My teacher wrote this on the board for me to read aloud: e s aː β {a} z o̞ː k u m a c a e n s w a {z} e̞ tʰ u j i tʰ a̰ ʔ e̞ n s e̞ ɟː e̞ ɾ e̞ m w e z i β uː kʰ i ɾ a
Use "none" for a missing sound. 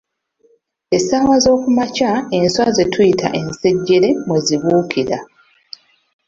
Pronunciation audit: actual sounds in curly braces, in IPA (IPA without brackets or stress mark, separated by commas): a, z